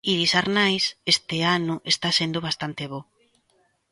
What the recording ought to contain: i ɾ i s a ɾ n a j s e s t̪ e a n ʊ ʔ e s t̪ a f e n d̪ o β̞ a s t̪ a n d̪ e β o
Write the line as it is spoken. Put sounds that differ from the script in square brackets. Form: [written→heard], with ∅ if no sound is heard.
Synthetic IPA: i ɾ i s a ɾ n a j s e s t̪ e a n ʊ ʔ e s t̪ a [f→s] e n d̪ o β̞ a s t̪ a n [d̪→t̪] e β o